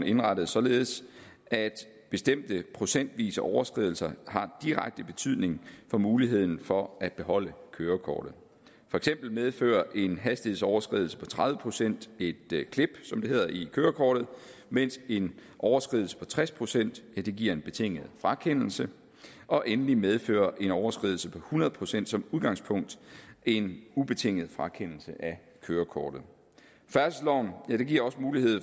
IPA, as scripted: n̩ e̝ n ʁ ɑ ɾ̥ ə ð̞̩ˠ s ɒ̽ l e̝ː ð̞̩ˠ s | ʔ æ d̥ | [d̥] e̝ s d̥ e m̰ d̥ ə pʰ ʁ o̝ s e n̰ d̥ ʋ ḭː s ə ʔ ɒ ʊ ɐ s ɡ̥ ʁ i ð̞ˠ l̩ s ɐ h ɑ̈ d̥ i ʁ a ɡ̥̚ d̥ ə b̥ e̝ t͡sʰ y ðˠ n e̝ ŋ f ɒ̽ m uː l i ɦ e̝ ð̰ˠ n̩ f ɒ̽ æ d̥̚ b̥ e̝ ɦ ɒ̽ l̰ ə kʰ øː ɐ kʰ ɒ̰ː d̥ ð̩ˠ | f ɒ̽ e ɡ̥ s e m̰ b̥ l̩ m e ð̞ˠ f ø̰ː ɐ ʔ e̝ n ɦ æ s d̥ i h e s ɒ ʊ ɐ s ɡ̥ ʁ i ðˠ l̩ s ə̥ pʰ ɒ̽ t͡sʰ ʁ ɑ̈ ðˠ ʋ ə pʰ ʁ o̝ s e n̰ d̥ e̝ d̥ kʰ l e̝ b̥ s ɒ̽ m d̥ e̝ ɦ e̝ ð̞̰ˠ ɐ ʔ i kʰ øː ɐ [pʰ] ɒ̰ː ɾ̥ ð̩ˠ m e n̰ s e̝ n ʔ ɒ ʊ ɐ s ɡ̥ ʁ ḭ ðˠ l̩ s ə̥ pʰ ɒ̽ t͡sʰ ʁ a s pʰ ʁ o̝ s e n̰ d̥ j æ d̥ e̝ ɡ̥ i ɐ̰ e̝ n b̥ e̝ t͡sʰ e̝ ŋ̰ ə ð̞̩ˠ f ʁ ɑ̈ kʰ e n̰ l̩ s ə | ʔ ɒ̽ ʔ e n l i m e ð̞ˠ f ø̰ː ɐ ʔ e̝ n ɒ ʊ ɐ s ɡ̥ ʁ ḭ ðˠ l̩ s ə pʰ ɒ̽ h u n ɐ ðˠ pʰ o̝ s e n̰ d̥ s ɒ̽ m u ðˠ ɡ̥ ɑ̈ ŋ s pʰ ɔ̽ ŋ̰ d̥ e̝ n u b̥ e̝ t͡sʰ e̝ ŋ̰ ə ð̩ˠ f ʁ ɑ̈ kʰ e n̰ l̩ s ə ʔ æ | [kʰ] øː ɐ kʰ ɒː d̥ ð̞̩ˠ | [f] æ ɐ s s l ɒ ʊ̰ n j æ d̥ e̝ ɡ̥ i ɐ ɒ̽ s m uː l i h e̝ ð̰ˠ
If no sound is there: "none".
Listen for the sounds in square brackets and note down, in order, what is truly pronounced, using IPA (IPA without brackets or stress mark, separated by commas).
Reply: b̥, kʰ, kʰ, f